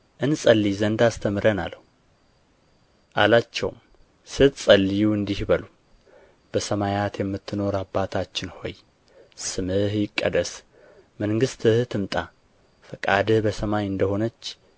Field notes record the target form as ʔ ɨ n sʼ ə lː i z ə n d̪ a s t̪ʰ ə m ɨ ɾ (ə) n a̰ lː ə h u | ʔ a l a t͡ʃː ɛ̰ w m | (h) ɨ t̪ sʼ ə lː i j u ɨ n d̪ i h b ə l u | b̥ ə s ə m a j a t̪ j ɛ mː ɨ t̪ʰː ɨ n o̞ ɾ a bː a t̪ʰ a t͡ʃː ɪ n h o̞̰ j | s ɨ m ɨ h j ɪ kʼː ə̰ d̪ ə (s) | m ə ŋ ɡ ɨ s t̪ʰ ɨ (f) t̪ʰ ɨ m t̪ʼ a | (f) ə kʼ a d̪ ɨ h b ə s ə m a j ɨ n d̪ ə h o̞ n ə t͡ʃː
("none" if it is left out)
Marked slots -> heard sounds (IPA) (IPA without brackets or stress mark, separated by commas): ə, s, s, h, f